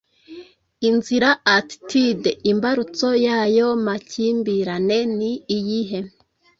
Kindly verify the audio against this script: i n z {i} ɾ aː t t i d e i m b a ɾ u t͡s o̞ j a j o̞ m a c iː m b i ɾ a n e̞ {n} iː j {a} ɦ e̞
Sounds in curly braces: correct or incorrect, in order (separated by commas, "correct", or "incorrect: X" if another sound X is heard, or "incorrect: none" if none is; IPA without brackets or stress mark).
correct, correct, incorrect: i